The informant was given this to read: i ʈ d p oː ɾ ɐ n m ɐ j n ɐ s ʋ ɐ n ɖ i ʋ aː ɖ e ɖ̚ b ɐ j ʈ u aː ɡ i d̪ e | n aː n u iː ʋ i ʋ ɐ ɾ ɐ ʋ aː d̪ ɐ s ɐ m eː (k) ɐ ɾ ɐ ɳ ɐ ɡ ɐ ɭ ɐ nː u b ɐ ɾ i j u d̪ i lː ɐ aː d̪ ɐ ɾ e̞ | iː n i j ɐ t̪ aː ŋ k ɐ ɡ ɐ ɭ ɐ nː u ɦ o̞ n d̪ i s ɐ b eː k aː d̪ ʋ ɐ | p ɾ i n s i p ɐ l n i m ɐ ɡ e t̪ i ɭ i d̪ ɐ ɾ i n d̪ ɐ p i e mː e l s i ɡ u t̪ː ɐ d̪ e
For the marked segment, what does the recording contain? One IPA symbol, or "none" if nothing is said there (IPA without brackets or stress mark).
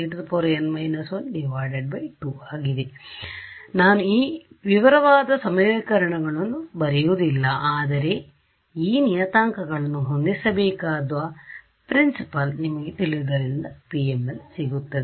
k